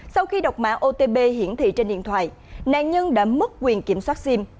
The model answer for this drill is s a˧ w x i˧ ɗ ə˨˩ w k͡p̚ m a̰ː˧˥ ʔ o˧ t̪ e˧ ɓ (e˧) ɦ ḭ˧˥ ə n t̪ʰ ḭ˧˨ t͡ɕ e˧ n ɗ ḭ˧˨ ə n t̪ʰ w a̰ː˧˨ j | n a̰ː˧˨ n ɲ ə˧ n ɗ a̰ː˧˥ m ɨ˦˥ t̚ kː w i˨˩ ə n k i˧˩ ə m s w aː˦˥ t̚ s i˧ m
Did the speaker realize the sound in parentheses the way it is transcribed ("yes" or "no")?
yes